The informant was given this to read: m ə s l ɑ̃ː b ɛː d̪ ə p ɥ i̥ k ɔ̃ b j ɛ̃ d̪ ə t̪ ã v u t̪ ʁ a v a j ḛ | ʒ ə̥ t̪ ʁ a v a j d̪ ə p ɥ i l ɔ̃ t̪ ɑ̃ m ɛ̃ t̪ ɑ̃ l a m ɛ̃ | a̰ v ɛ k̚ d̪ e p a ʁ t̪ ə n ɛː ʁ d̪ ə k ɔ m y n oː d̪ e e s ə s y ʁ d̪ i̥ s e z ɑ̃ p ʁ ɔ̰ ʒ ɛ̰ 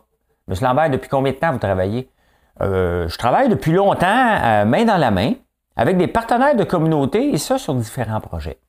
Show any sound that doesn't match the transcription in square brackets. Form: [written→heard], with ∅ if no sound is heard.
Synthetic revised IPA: m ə s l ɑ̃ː b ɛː d̪ ə p ɥ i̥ k ɔ̃ b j ɛ̃ d̪ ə t̪ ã v u t̪ ʁ a v a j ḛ | ʒ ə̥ t̪ ʁ a v a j d̪ ə p ɥ i l ɔ̃ t̪ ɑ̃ m ɛ̃ [t̪→d̪] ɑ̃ l a m ɛ̃ | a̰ v ɛ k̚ d̪ e p a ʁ t̪ ə n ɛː ʁ d̪ ə k ɔ m y n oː [d̪→t̪] e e s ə s y ʁ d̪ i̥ [s→f] e [z→ʁ] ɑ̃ p ʁ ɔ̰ ʒ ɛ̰